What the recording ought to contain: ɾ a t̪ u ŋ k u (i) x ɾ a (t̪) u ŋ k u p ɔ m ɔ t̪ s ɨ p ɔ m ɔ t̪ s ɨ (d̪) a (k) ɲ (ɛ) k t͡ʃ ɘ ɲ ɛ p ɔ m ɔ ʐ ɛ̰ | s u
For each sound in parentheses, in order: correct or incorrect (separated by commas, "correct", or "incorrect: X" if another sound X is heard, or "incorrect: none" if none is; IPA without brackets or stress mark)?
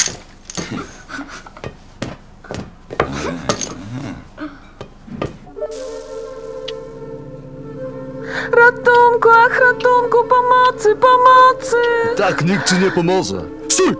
incorrect: a, correct, incorrect: t̪, correct, incorrect: i